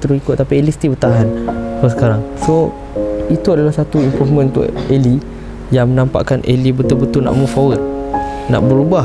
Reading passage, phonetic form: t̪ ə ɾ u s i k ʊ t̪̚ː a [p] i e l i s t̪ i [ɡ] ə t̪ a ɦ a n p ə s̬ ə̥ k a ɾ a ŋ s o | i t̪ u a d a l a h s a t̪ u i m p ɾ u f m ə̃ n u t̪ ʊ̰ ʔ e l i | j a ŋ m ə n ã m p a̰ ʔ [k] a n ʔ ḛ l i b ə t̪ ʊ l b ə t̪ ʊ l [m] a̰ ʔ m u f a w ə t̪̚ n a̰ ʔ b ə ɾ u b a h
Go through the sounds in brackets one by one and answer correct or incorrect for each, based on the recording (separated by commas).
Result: correct, incorrect, correct, incorrect